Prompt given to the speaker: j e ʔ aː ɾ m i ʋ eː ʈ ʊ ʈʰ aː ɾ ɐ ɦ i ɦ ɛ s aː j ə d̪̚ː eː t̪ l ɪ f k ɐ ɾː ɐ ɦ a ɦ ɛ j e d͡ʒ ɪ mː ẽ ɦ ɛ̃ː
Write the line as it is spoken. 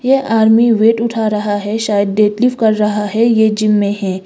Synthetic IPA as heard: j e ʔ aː ɾ m i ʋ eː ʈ ʊ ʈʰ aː ɾ ɐ ɦ a ɦ ɛ ʃ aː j ə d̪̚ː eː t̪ l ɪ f k ɐ ɾː ɐ ɦ a ɦ ɛ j e d͡ʒ ɪ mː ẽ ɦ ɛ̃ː